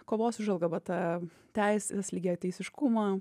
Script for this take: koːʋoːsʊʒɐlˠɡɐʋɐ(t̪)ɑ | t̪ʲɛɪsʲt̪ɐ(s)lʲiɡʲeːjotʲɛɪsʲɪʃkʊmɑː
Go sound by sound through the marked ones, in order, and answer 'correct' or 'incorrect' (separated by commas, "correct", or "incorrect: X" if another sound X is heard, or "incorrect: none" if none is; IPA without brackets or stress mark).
correct, correct